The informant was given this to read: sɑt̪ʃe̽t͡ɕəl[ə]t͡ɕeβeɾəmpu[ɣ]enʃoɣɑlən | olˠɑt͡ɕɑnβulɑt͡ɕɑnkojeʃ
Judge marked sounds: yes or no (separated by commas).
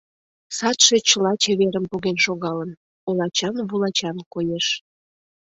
no, yes